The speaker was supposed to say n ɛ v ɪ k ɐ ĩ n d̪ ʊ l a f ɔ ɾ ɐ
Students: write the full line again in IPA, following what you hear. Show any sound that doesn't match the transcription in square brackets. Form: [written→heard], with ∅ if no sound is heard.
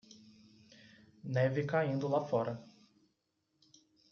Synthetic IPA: n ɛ v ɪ k [ɐ→a] ĩ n d̪ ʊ l a f ɔ ɾ ɐ